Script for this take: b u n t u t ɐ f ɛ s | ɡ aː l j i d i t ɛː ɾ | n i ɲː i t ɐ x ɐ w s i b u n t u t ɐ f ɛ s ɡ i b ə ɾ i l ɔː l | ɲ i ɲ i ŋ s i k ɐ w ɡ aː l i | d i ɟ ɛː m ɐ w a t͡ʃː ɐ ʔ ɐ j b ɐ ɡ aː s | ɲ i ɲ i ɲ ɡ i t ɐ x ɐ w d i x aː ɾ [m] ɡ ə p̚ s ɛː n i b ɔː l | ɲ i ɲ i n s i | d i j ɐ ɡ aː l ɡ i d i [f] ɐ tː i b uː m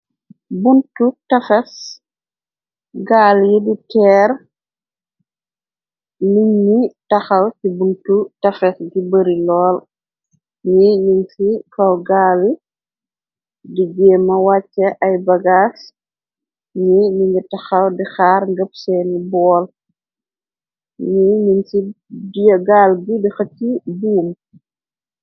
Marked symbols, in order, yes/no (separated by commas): no, no